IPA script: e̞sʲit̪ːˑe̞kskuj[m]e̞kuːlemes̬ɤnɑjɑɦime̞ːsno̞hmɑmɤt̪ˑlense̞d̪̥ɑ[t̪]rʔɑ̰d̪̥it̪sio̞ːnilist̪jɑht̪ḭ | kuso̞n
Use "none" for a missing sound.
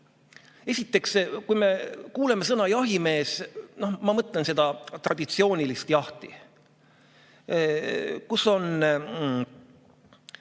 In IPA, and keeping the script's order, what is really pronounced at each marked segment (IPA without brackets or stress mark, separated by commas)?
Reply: m, t̪